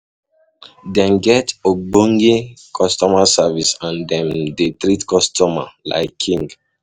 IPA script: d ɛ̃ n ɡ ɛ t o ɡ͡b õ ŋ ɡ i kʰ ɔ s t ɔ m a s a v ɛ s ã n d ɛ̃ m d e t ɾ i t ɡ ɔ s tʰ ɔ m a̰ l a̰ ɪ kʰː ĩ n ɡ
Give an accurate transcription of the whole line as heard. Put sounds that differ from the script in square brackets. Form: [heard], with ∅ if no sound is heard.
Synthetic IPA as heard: d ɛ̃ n ɡ ɛ t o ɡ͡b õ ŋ ɡ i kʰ ɔ s t ɔ m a s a v [i] s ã n d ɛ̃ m d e t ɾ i t [k] ɔ s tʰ ɔ m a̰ l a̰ ɪ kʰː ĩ [ŋ] ɡ

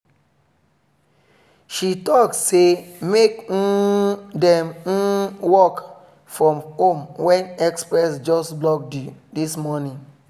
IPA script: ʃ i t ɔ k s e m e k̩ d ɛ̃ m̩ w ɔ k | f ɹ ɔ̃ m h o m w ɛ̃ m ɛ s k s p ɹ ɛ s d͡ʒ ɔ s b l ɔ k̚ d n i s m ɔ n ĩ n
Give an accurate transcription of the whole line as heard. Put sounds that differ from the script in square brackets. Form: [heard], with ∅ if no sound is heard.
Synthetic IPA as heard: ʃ i t ɔ k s e m e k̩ d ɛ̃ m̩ w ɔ k | f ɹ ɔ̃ m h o m w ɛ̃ [n] ɛ [∅] k s p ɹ ɛ s d͡ʒ ɔ s b l ɔ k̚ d [d] i s m ɔ n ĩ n

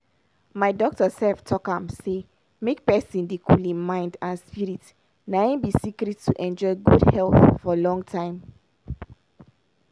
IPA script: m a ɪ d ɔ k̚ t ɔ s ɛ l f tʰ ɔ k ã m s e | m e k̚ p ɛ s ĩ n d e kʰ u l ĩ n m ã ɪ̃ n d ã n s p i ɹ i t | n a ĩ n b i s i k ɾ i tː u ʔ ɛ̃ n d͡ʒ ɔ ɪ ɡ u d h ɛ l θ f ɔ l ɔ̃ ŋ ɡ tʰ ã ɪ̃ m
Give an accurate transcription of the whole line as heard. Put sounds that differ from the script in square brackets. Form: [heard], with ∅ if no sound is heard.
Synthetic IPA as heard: m a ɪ d ɔ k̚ t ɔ s ɛ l f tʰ ɔ k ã m s e | m e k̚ p ɛ s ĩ n d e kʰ u l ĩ n m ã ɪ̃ n d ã n s p i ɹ i t | n a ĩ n b i s i k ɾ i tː u ʔ ɛ̃ n d͡ʒ ɔ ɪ ɡ u d h ɛ l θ f ɔ l ɔ̃ ŋ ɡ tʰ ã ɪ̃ m

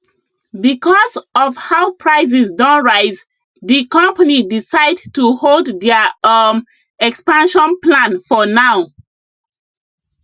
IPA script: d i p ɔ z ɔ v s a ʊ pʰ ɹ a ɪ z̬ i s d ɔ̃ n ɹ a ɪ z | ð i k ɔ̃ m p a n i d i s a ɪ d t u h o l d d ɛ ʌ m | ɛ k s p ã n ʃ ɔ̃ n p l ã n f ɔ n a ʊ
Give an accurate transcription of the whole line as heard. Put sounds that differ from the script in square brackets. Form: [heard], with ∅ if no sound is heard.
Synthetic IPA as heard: [b] i [k] ɔ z ɔ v [h] a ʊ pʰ ɹ a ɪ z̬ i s d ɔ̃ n ɹ a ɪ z | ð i k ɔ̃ m p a n i d i s a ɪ d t u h o l d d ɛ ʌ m | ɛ k s p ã n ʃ ɔ̃ n p l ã n f ɔ n a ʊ

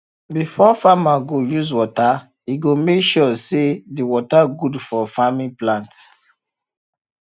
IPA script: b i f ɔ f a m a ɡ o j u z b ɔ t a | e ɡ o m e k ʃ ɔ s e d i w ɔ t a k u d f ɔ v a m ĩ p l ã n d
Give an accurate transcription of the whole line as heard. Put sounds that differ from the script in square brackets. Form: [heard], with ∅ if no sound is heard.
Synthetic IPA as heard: b i f ɔ f a m a ɡ o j u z [w] ɔ t a | [i] ɡ o m e k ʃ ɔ s e d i w ɔ t a [ɡ] u d f ɔ [f] a m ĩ p l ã n [t]

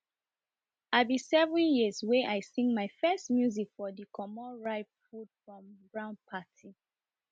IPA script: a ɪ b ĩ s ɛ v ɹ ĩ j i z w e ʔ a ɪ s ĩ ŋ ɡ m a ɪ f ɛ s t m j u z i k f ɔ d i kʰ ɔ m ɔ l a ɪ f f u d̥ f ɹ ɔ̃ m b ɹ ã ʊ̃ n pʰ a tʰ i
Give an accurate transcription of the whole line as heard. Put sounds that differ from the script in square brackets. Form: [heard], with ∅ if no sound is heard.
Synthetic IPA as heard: a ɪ b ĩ s ɛ v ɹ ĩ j i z w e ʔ a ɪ s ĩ ŋ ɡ m a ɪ f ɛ s t m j u z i k f ɔ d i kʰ ɔ m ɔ [ɹ] a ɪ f f u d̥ f ɹ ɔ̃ m b ɹ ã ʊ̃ n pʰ a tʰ i

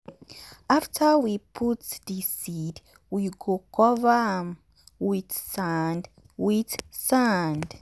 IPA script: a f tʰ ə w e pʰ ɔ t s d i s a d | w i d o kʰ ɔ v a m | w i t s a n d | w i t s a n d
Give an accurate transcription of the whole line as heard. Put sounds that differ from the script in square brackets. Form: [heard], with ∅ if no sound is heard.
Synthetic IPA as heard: a f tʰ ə w [i] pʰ [u] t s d i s [i] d | w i [ɡ] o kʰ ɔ v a m | w i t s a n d | w i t s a n d

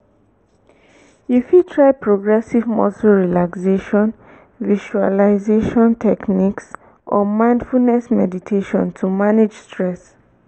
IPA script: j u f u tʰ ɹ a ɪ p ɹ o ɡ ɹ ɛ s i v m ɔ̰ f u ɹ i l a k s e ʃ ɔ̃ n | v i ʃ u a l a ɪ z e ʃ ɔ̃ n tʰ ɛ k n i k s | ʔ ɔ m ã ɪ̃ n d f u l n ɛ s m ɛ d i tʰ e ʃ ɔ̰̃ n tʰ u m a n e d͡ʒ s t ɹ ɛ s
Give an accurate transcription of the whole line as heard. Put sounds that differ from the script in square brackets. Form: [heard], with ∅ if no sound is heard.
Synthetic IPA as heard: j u f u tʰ ɹ a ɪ p ɹ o ɡ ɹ ɛ s i v m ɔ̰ [s] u ɹ i l a k s e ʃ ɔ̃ n | v i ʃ u a l a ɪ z e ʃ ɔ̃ n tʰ ɛ k n i k s | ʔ ɔ m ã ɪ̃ n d f u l n ɛ s m ɛ d i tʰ e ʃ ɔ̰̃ n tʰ u m a n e d͡ʒ s t ɹ ɛ s

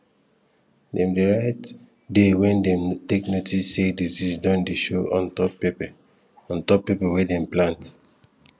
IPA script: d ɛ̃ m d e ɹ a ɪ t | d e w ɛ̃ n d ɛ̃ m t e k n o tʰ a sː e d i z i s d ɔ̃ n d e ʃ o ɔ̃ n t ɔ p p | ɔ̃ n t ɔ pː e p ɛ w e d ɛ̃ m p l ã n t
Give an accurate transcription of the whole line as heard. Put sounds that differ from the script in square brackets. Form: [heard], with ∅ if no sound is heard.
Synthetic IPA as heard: d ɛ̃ m d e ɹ a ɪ t | d e w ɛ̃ n d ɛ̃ m t e k n o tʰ [i] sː e d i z i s d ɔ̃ n d e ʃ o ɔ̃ n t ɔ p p | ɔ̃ n t ɔ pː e p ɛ w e d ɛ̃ m p l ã n t

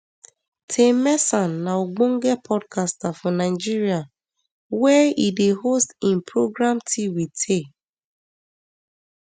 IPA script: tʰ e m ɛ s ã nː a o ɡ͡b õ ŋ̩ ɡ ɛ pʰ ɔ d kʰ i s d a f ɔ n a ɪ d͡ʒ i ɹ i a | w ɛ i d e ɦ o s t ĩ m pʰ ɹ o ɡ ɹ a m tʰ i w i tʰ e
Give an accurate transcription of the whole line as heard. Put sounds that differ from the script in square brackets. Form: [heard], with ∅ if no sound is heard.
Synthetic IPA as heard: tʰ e m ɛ s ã nː a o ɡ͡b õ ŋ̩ ɡ ɛ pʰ ɔ d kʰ [a] s [t] a f ɔ n a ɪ d͡ʒ i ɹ i a | w ɛ i d e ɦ o s t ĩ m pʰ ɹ o ɡ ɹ a m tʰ i w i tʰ e

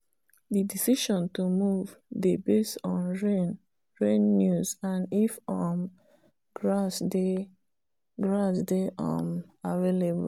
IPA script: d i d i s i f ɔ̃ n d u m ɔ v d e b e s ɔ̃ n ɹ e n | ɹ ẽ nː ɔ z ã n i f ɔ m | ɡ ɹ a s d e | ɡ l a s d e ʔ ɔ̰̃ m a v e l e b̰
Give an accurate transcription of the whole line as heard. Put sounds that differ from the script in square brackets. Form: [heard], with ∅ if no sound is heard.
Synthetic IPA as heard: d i d i s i [ʃ] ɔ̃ n [t] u m [u] v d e b e s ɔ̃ n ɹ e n | ɹ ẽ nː [u] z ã n i f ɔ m | ɡ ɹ a s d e | ɡ [ɹ] a s d e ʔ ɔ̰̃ m a v e l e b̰

